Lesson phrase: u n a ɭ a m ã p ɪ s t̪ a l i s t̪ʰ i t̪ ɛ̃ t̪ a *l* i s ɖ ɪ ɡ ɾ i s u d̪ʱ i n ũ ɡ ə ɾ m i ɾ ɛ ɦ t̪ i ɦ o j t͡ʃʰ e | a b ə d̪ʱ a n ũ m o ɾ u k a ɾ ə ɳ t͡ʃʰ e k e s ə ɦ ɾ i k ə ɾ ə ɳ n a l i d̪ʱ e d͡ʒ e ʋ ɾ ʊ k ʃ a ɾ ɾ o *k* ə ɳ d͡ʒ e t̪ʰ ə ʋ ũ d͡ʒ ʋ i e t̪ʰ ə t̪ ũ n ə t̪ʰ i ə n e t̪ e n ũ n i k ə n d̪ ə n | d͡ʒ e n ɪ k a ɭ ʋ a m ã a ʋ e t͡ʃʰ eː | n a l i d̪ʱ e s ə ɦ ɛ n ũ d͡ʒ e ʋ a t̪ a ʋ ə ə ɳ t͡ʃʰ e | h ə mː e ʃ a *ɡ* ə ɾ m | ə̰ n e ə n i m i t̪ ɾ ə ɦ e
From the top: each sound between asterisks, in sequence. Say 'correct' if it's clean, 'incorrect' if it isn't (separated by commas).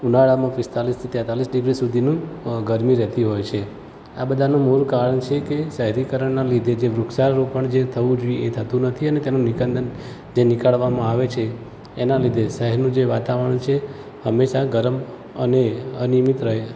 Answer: correct, incorrect, correct